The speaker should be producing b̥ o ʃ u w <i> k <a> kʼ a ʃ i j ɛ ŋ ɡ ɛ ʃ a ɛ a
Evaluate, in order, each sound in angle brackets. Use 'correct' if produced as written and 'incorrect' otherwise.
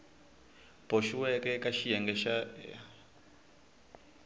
incorrect, incorrect

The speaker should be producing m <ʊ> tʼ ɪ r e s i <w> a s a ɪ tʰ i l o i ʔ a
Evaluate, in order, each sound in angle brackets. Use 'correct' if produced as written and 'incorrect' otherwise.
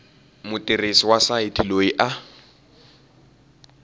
correct, correct

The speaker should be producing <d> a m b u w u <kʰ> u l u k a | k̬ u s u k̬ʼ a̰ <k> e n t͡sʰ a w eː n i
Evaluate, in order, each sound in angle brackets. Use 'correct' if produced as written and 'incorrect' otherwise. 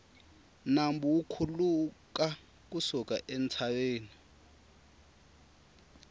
incorrect, correct, incorrect

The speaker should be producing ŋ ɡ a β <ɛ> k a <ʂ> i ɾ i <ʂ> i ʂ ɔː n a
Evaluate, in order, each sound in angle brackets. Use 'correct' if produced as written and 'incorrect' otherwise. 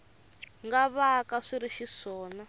incorrect, correct, incorrect

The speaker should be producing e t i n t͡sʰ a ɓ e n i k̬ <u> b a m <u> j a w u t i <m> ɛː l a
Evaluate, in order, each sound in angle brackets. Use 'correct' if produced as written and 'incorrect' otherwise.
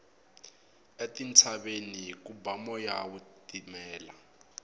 correct, incorrect, correct

